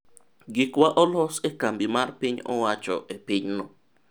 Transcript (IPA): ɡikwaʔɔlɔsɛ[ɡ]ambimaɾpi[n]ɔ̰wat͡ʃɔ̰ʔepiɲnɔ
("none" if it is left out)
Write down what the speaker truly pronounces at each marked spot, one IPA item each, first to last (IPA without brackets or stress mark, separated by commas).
k, ɲ